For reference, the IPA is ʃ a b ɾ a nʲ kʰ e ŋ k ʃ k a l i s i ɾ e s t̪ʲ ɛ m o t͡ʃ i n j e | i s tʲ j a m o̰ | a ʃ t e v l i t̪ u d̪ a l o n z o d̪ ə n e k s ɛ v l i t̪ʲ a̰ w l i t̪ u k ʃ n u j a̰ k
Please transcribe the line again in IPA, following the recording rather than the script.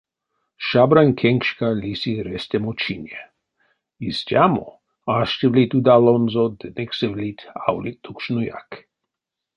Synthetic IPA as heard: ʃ a b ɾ a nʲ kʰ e ŋ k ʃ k a l i s i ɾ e s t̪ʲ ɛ m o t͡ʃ i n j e | i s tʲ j a m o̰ | a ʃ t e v l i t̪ u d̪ a l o n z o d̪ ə n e k s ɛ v l i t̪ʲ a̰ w l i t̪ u k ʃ n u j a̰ k